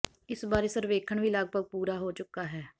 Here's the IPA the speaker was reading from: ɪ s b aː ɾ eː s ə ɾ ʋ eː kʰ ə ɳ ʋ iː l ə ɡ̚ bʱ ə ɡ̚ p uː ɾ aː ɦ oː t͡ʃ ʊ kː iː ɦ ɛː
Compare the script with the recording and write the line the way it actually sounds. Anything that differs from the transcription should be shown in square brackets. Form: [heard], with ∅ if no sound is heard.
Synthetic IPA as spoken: ɪ s b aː ɾ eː s ə ɾ ʋ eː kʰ ə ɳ ʋ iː l ə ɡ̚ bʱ ə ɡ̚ p uː ɾ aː ɦ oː t͡ʃ ʊ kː [aː] ɦ ɛː

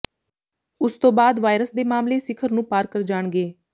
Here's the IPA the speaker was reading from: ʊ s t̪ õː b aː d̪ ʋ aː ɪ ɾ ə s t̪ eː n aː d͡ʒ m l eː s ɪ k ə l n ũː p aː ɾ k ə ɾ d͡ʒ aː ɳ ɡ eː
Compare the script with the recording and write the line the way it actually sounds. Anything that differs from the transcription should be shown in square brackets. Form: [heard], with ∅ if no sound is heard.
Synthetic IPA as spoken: ʊ s t̪ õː b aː d̪ ʋ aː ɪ ɾ ə s [d̪] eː [m] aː [∅] m l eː s ɪ [kʰ] ə [ɾ] n ũː p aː ɾ k ə ɾ d͡ʒ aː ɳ ɡ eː

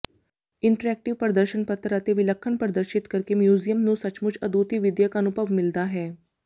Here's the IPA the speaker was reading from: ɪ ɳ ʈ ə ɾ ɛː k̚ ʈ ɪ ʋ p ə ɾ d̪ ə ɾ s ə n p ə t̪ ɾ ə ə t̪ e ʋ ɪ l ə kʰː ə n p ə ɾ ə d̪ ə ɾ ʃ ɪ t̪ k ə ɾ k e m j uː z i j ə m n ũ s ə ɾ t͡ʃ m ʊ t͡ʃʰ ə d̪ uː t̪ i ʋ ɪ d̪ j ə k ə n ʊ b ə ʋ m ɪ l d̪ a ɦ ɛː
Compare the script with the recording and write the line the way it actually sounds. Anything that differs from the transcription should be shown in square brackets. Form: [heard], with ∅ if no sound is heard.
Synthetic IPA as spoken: ɪ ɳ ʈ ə ɾ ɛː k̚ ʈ ɪ ʋ p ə ɾ d̪ ə ɾ [ʃ] ə n p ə t̪ ɾ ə ə t̪ e ʋ ɪ l ə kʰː ə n p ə ɾ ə d̪ ə ɾ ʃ ɪ t̪ k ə ɾ k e m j uː z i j ə m n ũ s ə [∅] t͡ʃ m ʊ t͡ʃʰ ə d̪ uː t̪ i ʋ ɪ d̪ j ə k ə n ʊ b ə ʋ m ɪ l d̪ a ɦ ɛː

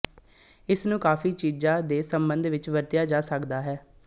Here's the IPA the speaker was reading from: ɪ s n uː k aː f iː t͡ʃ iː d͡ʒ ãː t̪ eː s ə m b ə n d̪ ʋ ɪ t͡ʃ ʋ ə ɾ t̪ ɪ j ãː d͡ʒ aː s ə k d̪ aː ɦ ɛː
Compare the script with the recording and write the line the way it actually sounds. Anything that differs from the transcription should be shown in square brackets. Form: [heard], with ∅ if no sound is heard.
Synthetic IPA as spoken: ɪ s n [ũː] k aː f iː t͡ʃ iː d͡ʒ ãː [d̪] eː s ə m b ə n d̪ ʋ ɪ t͡ʃ ʋ ə ɾ t̪ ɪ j [aː] d͡ʒ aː s ə k d̪ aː ɦ ɛː

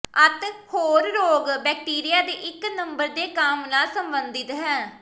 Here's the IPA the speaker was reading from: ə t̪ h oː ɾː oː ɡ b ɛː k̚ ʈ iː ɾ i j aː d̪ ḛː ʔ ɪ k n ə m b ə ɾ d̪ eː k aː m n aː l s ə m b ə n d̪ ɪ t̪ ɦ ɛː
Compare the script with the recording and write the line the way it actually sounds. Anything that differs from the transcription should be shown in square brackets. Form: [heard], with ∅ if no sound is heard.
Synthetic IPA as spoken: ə t̪ h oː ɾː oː ɡ b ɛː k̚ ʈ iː ɾ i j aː d̪ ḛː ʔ ɪ k n ə m b ə ɾ d̪ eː k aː m n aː l s ə m b ə n d̪ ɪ t̪ ɦ ɛː

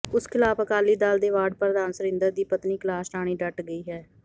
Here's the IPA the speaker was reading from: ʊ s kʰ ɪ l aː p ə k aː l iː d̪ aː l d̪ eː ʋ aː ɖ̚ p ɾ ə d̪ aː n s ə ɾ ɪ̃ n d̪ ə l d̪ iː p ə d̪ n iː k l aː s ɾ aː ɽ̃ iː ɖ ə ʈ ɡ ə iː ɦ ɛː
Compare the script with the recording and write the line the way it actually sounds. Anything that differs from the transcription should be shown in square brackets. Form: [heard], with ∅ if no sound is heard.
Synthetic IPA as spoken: ʊ s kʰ ɪ l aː p ə k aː l iː d̪ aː l d̪ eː ʋ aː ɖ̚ p ɾ ə d̪ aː n s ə ɾ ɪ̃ n d̪ ə [ɾ] d̪ iː p ə [t̪] n iː k l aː s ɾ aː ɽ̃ iː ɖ ə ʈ ɡ ə iː ɦ ɛː

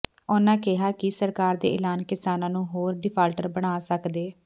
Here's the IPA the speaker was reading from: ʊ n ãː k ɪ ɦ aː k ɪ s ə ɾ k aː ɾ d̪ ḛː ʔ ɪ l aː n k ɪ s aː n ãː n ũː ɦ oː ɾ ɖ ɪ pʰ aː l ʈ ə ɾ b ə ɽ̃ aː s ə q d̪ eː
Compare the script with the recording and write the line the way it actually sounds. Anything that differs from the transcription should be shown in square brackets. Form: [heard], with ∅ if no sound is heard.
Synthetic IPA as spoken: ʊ n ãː k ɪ ɦ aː k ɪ s ə ɾ k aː ɾ d̪ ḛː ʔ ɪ l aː n k ɪ s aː n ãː n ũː ɦ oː ɾ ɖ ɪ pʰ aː l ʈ ə ɾ b ə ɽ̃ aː s ə [k] d̪ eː

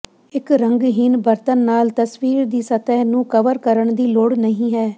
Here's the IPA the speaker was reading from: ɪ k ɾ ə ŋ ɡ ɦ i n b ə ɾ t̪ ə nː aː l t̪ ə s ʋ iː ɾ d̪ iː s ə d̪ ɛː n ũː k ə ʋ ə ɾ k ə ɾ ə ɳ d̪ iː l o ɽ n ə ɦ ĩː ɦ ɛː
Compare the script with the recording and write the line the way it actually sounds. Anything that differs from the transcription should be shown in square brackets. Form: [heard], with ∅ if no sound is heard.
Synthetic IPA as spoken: ɪ k ɾ ə ŋ ɡ ɦ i n b ə ɾ t̪ ə nː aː l t̪ ə s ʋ iː ɾ d̪ iː s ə [t̪] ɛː n ũː k ə ʋ ə ɾ k ə ɾ ə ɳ d̪ iː l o ɽ n ə ɦ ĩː ɦ ɛː

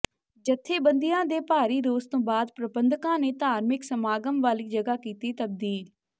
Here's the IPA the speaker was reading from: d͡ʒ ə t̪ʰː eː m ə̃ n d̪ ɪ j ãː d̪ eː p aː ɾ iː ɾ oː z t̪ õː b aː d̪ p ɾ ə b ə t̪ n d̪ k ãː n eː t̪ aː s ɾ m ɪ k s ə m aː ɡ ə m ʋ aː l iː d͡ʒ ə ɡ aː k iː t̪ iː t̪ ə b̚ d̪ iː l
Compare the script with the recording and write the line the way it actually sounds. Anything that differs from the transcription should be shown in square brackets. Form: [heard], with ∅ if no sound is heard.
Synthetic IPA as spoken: d͡ʒ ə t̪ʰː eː [b] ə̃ n d̪ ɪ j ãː d̪ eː p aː ɾ iː ɾ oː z t̪ õː b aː d̪ p ɾ ə b ə [∅] n d̪ k ãː n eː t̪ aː [∅] ɾ m ɪ k s ə m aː ɡ ə m ʋ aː l iː d͡ʒ ə ɡ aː k iː t̪ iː t̪ ə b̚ d̪ iː l

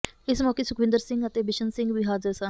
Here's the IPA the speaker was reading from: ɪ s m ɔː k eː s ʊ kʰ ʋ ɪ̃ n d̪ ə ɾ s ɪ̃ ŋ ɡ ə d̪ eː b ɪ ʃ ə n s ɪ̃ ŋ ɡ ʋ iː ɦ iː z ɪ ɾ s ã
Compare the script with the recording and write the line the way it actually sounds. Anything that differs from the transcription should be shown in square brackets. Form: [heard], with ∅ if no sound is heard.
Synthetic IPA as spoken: ɪ s m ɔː k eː s ʊ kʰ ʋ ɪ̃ n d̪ ə ɾ s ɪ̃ ŋ ɡ ə [t̪] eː b ɪ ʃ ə n s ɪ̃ ŋ ɡ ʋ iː ɦ [aː] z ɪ ɾ s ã

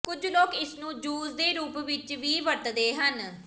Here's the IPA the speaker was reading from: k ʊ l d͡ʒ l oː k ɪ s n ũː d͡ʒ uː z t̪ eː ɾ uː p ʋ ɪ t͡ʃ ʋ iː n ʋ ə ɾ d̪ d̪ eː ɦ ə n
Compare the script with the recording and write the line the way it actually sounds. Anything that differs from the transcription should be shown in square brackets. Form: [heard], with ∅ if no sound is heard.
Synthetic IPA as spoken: k ʊ [∅] d͡ʒ l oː k ɪ s n ũː d͡ʒ uː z [d̪] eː ɾ uː p ʋ ɪ t͡ʃ ʋ iː [∅] ʋ ə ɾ [t̪] d̪ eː ɦ ə n

